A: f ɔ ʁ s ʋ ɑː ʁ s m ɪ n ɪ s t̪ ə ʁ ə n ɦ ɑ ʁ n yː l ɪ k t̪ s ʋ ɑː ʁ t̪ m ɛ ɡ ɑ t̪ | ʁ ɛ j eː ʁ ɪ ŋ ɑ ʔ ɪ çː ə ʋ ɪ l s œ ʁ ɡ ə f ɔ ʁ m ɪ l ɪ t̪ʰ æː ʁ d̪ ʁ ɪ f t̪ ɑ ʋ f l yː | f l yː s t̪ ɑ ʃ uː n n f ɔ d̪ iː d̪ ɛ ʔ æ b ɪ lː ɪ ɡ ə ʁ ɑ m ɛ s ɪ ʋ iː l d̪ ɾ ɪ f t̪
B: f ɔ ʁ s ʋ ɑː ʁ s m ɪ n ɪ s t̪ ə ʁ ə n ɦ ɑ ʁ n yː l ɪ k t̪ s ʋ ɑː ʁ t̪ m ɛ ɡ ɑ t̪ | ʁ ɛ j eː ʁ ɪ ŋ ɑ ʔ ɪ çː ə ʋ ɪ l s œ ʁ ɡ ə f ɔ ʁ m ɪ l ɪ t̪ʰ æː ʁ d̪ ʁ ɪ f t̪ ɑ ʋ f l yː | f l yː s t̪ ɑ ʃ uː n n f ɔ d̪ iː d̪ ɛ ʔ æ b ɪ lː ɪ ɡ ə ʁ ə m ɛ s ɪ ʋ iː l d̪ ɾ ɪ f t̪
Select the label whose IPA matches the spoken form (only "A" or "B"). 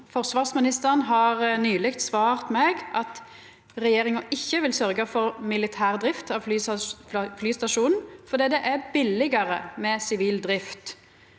B